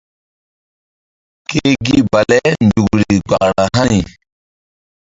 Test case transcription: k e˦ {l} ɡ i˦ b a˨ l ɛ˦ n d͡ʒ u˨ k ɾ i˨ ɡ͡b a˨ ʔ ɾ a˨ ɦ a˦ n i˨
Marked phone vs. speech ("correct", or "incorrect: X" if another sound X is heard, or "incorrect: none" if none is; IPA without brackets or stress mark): incorrect: none